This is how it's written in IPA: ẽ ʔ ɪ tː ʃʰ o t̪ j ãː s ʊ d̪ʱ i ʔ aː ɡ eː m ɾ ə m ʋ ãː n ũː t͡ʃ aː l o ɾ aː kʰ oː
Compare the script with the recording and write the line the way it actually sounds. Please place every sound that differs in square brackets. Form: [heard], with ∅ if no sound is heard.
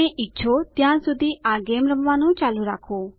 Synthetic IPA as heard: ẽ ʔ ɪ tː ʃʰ o t̪ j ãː s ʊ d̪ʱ i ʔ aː ɡ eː m ɾ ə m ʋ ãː n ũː t͡ʃ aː l [u] ɾ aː kʰ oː

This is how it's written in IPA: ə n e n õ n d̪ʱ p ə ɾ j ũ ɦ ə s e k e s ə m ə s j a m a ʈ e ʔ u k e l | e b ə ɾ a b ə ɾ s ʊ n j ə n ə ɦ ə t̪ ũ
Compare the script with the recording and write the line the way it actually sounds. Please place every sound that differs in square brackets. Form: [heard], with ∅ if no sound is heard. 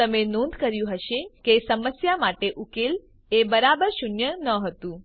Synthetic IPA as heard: ə [m] e n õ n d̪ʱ [k] ə ɾ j ũ ɦ ə [ʃ] e k e s ə m ə s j a m a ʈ e ʔ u k e l | e b ə ɾ a b ə ɾ [ʃ] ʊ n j ə n ə ɦ ə t̪ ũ

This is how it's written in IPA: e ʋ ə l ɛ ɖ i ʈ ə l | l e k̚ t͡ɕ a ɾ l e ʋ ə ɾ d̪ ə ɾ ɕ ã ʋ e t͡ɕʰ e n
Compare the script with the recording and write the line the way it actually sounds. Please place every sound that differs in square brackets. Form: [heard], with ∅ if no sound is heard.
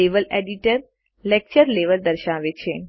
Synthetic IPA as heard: e ʋ ə l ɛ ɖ i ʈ ə [ɾ] | l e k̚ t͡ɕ [ə] ɾ l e ʋ ə [l] d̪ ə ɾ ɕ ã ʋ e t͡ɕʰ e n

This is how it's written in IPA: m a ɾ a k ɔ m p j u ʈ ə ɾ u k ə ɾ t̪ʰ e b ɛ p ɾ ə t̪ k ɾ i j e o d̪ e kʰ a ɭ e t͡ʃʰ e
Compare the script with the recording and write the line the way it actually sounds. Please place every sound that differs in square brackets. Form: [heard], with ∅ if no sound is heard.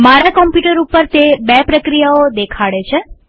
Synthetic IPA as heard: m a ɾ a k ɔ m p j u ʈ ə ɾ u [p] ə ɾ [t̪] e b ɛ p ɾ ə [∅] k ɾ i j [a] o d̪ e kʰ a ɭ e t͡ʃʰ e

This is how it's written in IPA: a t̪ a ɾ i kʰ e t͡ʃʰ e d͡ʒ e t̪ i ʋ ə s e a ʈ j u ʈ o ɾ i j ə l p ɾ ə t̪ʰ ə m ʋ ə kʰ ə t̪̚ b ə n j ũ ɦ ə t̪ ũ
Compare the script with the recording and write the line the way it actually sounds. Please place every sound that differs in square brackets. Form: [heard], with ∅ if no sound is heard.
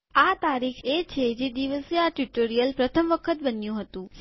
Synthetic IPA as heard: a t̪ a ɾ i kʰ e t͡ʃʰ e d͡ʒ e [d̪] i ʋ ə s e a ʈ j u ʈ o ɾ i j ə l p ɾ ə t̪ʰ ə m ʋ ə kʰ ə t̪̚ b ə n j ũ ɦ ə t̪ ũ

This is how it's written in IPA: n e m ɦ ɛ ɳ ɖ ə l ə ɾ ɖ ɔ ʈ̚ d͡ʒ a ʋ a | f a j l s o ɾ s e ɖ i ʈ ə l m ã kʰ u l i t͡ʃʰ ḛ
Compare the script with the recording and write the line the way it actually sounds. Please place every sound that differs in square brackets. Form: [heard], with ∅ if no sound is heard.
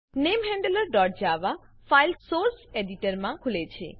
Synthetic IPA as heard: n e m ɦ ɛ ɳ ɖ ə l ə ɾ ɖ ɔ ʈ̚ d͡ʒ a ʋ a | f a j l s o ɾ s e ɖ i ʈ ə [ɾ] m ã kʰ u l [e] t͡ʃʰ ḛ

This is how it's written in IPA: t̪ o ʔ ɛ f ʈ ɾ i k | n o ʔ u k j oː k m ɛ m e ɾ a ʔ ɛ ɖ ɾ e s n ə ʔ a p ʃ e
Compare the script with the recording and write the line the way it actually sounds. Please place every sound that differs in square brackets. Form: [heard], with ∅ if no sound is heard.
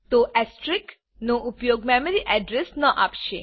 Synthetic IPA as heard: t̪ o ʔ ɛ [s] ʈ ɾ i k | n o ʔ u [p] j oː [ɡ] m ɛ m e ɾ [i] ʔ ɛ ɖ ɾ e s n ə ʔ a p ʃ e

